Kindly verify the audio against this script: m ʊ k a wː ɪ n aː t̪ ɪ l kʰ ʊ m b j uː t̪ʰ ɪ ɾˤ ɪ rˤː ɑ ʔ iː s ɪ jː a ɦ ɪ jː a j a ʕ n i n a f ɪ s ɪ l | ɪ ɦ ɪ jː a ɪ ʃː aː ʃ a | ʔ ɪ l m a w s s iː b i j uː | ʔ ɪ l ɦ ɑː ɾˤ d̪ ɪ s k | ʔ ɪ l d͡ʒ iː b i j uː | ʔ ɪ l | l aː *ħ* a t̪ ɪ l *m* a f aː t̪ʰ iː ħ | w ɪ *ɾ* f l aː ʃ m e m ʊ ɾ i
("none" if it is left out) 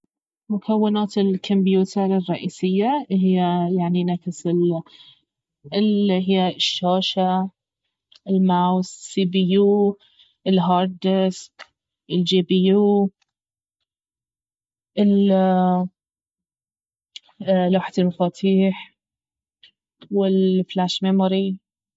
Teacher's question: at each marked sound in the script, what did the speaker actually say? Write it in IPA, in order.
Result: ħ, m, l

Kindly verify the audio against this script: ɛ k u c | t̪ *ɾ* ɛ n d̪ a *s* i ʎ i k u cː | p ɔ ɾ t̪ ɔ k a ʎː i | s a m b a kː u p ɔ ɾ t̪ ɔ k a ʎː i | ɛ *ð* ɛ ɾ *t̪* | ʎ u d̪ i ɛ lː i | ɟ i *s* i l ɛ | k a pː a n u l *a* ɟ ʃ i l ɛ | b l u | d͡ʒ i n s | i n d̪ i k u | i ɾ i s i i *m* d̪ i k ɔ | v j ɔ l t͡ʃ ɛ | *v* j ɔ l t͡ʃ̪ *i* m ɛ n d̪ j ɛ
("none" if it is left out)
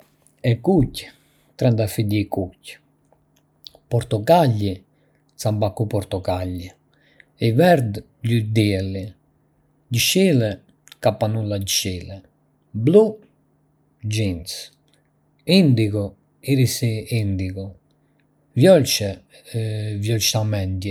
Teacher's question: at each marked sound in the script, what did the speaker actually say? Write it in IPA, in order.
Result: ɾ, f, v, d̪, ʃ, a, n, v, a

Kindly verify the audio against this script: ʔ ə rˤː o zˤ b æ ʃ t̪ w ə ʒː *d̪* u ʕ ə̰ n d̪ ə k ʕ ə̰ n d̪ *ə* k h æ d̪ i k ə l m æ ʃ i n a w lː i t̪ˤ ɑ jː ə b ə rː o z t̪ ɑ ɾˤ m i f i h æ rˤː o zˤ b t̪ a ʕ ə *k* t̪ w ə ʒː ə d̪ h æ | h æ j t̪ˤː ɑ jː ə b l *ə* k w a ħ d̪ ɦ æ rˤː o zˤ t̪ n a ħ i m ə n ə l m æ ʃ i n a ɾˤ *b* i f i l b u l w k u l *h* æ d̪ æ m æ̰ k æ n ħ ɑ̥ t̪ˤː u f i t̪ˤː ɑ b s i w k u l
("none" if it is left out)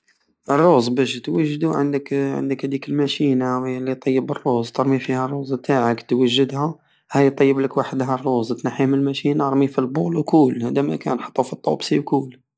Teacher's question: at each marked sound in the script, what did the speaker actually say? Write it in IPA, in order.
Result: d̪, ə, k, ə, m, h

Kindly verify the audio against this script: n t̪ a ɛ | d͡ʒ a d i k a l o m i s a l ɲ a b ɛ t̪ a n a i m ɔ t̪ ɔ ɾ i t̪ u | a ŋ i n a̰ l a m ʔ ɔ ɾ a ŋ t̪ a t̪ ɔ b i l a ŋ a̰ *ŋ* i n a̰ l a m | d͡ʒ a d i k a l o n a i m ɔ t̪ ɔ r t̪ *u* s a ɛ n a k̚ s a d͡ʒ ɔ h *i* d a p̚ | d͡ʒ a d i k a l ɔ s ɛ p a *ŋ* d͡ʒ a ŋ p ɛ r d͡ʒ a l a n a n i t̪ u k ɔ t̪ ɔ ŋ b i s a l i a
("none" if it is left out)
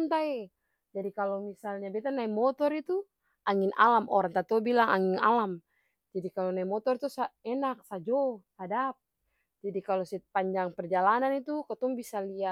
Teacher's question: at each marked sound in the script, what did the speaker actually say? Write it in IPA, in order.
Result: ŋ, u, a, ɲ

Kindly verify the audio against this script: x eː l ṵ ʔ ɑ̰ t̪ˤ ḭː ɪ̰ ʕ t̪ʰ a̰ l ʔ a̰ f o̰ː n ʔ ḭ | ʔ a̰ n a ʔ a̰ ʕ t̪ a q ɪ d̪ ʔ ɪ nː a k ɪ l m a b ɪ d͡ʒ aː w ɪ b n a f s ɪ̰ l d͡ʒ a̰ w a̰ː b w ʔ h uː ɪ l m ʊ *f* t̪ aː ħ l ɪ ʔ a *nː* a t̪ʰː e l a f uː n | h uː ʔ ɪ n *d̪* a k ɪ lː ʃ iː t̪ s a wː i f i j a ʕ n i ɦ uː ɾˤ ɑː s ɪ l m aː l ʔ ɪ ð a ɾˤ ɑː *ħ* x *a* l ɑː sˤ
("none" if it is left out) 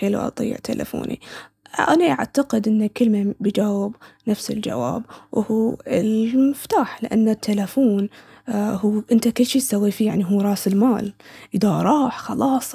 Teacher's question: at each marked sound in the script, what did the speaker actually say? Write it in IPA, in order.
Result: f, nː, t̪, ħ, ɑ

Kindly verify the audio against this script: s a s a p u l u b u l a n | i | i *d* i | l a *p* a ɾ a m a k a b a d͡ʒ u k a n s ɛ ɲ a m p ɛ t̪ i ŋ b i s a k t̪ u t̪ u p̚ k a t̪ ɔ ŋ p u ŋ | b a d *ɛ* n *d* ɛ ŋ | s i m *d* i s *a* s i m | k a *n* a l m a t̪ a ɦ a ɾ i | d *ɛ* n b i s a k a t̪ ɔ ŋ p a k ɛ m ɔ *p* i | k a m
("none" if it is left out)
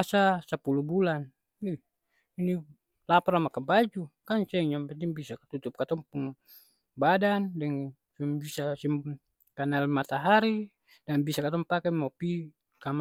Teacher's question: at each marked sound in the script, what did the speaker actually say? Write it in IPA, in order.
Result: n, p, a, d, b, a, n, a, p

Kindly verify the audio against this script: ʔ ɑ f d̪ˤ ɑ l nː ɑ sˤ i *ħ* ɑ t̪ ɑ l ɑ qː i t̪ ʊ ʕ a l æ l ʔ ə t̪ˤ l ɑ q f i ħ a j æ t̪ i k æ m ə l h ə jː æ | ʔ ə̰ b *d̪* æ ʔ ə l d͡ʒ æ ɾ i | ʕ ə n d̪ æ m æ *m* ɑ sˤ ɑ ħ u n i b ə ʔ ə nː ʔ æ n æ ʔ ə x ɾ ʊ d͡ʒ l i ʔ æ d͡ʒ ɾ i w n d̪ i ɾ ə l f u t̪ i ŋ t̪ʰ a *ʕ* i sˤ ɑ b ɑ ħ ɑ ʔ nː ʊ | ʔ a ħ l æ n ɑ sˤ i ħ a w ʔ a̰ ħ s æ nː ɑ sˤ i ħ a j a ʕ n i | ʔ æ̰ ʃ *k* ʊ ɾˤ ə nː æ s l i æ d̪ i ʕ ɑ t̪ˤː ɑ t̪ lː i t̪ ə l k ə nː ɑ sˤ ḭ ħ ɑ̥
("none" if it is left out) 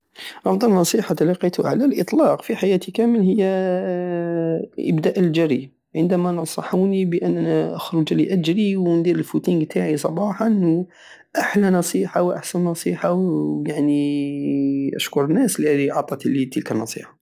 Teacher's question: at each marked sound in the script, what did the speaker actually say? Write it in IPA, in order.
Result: ħ, d̪, n, ʕ, k

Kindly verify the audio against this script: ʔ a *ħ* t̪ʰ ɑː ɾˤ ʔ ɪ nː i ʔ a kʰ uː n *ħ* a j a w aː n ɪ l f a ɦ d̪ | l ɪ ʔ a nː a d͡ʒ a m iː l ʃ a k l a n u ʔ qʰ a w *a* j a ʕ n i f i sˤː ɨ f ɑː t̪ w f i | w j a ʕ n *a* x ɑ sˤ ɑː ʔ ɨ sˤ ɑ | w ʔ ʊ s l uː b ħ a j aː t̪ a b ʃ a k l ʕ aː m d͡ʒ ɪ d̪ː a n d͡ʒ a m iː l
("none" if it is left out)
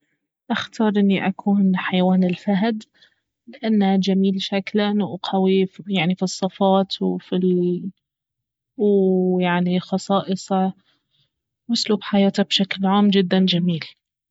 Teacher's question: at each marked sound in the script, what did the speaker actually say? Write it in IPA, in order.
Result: x, ħ, i, i

